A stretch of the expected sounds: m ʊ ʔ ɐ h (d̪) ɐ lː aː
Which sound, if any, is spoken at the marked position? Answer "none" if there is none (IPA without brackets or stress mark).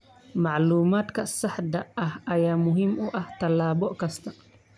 t̪